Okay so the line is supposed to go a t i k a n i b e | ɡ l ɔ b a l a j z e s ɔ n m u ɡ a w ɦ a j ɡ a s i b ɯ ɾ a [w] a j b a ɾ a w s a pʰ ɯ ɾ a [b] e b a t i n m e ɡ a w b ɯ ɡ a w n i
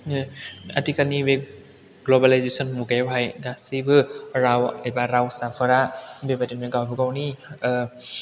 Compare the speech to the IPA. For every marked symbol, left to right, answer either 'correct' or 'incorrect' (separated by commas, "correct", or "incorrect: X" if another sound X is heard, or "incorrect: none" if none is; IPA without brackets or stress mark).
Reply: correct, correct